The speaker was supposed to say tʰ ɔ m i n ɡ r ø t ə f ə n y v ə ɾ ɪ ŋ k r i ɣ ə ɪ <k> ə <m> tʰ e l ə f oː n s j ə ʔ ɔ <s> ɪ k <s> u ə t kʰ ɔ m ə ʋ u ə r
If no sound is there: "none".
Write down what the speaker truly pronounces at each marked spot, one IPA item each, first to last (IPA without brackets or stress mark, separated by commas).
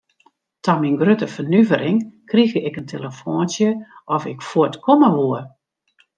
k, n, f, f